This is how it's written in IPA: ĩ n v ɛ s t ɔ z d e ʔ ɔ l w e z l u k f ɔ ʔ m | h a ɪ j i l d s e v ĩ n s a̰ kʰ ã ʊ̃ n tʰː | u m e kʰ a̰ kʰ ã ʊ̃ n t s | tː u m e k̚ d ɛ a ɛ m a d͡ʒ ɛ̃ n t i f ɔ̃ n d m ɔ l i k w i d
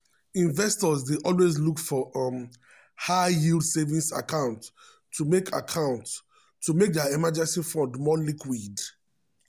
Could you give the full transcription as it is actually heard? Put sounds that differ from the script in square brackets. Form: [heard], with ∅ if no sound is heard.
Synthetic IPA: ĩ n v ɛ s t ɔ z d e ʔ ɔ l w e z l u k f ɔ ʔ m | h a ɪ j i l d s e v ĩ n s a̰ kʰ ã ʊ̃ n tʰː | u m e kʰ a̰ kʰ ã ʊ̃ n t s | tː u m e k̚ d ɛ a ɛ m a d͡ʒ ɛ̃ n [s] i f ɔ̃ n d m ɔ l i k w i d